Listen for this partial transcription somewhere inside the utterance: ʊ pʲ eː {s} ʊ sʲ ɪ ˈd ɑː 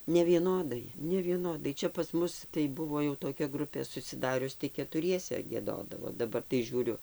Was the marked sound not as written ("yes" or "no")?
no